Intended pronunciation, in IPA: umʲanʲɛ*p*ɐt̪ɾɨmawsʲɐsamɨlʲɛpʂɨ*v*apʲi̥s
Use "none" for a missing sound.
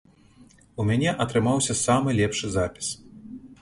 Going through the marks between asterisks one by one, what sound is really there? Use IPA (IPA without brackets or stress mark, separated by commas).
ʔ, z